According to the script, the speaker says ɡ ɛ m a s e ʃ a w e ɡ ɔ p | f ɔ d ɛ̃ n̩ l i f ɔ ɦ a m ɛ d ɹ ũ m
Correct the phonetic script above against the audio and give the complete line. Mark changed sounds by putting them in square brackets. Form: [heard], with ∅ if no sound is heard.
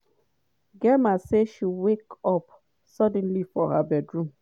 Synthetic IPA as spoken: ɡ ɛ m a s e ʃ [i] w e [k] ɔ p | [s] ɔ d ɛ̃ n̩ l i f ɔ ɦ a [b] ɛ d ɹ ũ m